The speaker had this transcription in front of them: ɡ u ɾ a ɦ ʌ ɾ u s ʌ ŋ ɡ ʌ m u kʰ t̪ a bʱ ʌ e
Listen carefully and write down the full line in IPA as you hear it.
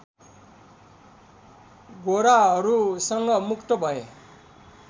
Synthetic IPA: ɡ o ɾ a ɦ ʌ ɾ u s ʌ ŋ ɡ ʌ m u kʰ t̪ ʌ bʱ ʌ e